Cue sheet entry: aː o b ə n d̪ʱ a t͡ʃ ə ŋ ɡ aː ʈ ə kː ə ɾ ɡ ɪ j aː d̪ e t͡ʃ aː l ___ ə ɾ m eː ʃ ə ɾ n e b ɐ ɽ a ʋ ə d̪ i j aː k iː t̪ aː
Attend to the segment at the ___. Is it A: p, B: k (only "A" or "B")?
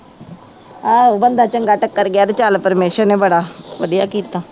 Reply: A